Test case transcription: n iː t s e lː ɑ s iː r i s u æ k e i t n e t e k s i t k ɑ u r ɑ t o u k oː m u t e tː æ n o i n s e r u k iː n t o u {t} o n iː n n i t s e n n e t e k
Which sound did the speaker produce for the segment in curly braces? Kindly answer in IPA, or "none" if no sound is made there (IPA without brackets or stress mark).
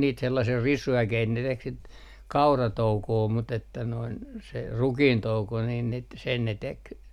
k